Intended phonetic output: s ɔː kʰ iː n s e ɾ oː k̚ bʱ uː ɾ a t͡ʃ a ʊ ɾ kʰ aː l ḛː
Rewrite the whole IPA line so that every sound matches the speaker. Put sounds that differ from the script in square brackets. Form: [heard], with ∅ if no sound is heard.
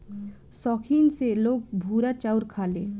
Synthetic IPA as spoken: s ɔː kʰ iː n s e [l] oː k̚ bʱ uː ɾ a t͡ʃ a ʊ ɾ kʰ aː l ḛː